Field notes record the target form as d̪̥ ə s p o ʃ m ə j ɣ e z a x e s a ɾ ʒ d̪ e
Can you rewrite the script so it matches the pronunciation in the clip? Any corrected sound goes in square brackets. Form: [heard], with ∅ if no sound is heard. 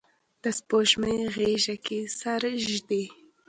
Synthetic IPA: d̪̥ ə s p o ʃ m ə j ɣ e [ʒ] a [k] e s a ɾ ʒ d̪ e